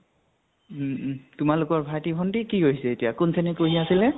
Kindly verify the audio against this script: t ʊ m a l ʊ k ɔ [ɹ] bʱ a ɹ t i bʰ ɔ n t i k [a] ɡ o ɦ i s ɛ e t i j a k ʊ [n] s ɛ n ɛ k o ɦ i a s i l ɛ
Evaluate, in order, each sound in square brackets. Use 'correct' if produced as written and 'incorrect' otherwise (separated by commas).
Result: correct, incorrect, correct